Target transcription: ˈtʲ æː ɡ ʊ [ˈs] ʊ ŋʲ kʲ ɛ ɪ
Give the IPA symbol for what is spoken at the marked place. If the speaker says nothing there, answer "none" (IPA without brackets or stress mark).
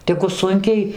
s